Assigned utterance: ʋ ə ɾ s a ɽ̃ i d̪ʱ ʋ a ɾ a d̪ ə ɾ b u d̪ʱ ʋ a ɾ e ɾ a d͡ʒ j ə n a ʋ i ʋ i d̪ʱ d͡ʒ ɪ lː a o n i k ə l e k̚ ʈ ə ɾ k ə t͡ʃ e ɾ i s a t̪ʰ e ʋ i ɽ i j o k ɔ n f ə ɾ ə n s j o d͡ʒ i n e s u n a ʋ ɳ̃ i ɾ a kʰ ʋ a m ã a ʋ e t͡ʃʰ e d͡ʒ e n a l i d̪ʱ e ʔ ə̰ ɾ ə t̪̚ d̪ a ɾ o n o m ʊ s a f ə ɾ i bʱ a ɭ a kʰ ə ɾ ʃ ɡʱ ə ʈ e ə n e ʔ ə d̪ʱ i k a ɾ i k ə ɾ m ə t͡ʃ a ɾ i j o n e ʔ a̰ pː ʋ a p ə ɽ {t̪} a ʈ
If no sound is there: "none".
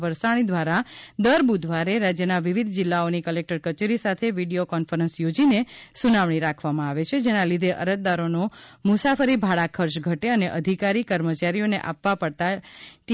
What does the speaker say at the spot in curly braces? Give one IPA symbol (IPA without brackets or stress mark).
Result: t̪